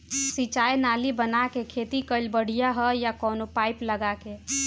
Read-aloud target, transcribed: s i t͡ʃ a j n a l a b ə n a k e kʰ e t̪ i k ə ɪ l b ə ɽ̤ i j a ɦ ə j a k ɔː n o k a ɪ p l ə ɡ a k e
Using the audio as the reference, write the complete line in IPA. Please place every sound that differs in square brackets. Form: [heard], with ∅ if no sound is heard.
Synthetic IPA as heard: s i t͡ʃ a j n a l [i] b ə n a k e kʰ e t̪ i k ə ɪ l b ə ɽ̤ i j a ɦ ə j a k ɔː n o [p] a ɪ p l ə ɡ a k e